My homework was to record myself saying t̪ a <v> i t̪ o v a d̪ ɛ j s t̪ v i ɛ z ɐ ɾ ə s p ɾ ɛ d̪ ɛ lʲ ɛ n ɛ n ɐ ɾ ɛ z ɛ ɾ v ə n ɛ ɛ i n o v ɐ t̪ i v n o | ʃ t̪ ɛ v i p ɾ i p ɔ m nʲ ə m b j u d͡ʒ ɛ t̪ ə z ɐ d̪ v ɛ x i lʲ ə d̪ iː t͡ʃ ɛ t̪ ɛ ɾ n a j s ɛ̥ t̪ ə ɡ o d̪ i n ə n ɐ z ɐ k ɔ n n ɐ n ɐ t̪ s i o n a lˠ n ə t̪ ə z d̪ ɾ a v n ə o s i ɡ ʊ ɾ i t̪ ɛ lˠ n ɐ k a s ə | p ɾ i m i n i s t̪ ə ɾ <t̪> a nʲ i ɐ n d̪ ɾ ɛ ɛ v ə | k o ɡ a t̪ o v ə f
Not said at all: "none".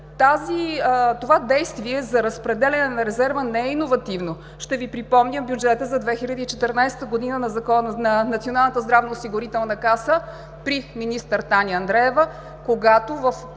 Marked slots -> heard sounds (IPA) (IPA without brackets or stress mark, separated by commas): z, t̪